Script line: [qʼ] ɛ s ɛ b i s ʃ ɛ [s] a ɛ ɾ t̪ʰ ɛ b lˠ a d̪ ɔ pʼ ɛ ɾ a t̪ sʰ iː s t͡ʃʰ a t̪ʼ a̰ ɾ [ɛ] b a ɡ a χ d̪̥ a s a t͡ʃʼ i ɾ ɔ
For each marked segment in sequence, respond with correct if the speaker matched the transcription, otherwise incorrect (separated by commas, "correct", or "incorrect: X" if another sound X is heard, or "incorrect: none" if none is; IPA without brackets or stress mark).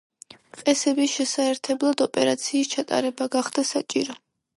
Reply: correct, correct, correct